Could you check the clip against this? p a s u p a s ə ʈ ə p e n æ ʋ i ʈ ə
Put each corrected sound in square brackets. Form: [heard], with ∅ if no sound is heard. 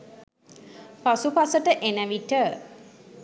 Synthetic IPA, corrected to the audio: p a s u p a s ə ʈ ə [ʔ] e n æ ʋ i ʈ ə